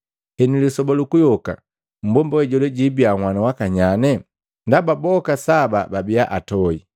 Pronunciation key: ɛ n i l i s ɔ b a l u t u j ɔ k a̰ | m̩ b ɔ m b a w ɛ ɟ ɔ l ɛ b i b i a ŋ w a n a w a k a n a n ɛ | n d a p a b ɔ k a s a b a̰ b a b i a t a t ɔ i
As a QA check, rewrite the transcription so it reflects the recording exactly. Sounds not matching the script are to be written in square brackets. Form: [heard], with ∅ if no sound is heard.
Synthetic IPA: ɛ n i l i s ɔ b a l u [k] u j ɔ k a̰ | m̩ b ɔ m b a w ɛ ɟ ɔ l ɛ [ɟ] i b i a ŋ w a n a w a k a [ɲ] a n ɛ | n d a [b] a b ɔ k a s a b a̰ b a b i a [ʔ] a t ɔ i